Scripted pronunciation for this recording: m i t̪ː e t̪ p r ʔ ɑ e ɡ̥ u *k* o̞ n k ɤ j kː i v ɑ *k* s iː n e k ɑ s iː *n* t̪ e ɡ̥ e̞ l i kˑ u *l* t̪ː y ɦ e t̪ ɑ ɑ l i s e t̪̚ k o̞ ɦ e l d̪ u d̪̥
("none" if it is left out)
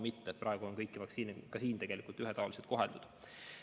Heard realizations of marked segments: none, k, n, l

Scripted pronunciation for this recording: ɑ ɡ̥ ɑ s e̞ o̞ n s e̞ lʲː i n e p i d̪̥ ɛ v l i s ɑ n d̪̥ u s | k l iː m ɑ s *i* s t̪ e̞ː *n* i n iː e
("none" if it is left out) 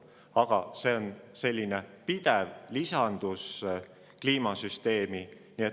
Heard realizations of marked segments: y, m

